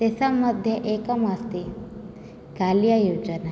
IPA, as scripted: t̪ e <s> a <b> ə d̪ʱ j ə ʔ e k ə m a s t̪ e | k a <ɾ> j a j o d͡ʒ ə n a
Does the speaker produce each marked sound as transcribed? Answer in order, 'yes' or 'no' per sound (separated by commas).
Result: yes, no, no